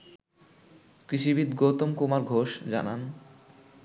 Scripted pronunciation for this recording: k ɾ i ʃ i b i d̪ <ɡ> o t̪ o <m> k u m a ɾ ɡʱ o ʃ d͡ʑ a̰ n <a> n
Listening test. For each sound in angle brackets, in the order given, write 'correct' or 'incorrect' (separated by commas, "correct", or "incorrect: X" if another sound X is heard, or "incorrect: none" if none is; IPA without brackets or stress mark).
correct, correct, correct